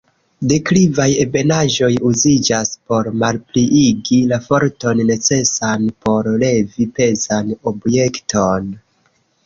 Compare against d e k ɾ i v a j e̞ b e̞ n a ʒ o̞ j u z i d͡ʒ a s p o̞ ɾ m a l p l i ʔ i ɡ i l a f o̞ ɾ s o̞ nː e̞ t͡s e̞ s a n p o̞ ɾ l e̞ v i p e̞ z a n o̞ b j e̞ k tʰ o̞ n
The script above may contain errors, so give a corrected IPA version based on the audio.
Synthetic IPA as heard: d e k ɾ i v a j e̞ b e̞ n a ʒ o̞ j u z i d͡ʒ a s p o̞ ɾ m a l p l i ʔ i ɡ i l a f o̞ ɾ t o̞ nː e̞ t͡s e̞ s a n p o̞ ɾ l e̞ v i p e̞ z a n o̞ b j e̞ k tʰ o̞ n